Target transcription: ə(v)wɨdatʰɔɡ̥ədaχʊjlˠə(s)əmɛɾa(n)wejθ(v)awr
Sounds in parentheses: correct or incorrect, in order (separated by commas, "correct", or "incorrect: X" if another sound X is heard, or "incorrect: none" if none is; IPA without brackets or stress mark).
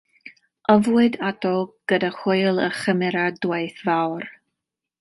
correct, incorrect: χ, incorrect: d, correct